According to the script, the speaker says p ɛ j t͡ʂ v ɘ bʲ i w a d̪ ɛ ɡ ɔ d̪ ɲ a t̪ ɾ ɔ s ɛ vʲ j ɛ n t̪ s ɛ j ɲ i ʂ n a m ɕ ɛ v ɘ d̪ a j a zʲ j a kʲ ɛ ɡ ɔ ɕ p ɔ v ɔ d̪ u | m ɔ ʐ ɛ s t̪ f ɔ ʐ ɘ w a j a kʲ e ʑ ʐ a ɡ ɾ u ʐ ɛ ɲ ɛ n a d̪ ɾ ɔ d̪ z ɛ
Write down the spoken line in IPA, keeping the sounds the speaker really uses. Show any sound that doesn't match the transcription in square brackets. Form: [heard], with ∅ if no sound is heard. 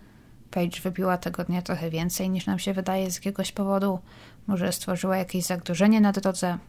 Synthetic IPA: p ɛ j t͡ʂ v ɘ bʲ i w a [t̪] ɛ ɡ ɔ d̪ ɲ a t̪ ɾ ɔ [x] ɛ vʲ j ɛ n t̪ s ɛ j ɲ i ʂ n a m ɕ ɛ v ɘ d̪ a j [ɛ] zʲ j a kʲ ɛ ɡ ɔ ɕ p ɔ v ɔ d̪ u | m ɔ ʐ ɛ s t̪ f ɔ ʐ ɘ w a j a kʲ e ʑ [z] a ɡ ɾ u ʐ ɛ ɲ ɛ n a d̪ ɾ ɔ d̪ z ɛ